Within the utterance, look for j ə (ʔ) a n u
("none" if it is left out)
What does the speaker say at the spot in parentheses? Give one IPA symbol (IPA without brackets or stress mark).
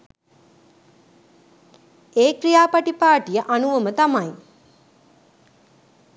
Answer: ʔ